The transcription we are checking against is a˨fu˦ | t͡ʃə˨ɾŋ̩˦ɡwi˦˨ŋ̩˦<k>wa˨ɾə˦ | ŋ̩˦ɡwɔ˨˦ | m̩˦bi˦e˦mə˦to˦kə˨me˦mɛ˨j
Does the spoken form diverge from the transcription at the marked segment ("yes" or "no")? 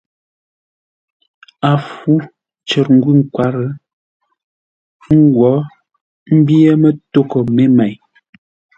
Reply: no